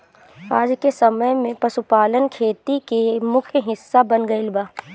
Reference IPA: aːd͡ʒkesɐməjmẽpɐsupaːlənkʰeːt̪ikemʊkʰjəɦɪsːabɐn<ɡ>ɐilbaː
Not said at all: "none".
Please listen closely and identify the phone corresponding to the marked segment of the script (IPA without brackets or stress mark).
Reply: ɡ